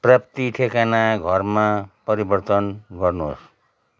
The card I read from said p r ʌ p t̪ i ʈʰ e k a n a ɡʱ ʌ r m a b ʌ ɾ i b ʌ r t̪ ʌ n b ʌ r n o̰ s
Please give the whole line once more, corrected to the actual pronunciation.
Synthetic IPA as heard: p r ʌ p t̪ i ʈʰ e k a n a ɡʱ ʌ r m a p ʌ ɾ i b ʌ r t̪ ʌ n ɡ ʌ r n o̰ s